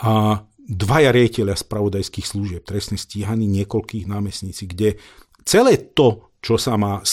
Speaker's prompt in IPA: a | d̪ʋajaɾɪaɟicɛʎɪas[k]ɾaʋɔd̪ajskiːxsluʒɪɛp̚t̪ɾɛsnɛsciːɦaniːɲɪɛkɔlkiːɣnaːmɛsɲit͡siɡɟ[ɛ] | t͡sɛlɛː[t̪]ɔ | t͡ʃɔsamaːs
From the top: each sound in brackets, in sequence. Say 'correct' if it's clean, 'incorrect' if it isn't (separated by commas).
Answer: incorrect, correct, correct